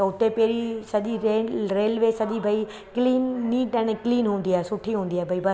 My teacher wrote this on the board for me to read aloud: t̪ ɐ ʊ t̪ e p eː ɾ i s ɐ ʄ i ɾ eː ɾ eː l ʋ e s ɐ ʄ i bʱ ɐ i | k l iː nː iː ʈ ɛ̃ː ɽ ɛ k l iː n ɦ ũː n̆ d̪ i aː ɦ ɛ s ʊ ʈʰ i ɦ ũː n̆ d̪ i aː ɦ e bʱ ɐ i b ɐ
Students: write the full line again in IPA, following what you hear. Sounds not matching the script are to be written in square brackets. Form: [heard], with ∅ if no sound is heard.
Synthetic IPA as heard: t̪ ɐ ʊ t̪ e p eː ɾ i s ɐ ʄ i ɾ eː ɾ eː l ʋ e s ɐ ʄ i bʱ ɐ i | k l iː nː iː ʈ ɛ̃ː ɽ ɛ k l iː n ɦ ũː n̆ d̪ i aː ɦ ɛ s ʊ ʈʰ i ɦ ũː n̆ d̪ i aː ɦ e bʱ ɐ i b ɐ